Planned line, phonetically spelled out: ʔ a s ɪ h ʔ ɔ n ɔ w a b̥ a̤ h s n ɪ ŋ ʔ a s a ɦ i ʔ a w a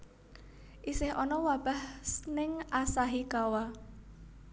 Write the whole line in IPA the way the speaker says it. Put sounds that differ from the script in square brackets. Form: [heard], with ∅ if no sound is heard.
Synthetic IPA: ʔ [i] s ɪ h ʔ ɔ n ɔ w a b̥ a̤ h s n ɪ ŋ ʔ a s a ɦ i [k] a w a